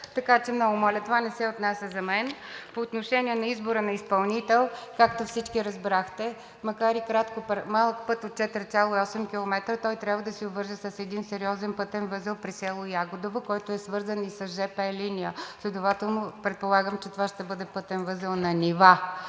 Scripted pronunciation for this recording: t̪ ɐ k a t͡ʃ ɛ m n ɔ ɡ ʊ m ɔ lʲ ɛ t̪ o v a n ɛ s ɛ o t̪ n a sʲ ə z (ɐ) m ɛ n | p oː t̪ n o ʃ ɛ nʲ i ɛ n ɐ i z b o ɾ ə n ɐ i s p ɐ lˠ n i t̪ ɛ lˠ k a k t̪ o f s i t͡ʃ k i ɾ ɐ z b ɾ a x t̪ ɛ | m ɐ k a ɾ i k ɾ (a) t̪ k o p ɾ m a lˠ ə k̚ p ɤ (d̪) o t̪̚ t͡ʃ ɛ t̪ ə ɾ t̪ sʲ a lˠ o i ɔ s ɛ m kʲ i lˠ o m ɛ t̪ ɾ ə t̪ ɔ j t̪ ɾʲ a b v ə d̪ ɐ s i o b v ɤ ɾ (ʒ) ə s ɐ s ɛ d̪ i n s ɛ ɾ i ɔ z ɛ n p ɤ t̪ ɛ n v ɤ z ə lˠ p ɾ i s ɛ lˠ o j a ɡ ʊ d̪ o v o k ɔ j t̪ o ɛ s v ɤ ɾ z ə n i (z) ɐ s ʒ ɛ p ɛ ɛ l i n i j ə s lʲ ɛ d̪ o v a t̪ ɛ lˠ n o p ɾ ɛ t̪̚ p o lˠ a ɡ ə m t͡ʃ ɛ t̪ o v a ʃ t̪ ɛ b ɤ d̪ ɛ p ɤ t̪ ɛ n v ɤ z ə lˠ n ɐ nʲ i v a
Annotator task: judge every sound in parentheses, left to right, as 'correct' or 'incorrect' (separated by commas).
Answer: correct, correct, incorrect, correct, incorrect